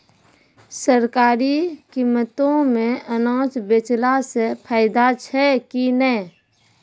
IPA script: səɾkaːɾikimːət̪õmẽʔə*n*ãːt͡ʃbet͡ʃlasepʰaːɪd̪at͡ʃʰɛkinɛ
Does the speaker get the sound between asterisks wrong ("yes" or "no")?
no